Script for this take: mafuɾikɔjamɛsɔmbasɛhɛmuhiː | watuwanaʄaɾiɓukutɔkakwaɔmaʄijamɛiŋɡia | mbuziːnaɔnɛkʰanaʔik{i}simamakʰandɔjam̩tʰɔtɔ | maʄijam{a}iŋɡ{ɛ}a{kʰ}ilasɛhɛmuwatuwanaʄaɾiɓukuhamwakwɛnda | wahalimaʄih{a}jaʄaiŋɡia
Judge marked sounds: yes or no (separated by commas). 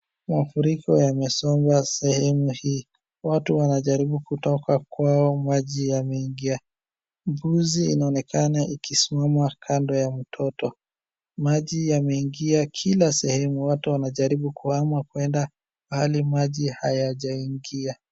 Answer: yes, no, no, yes, yes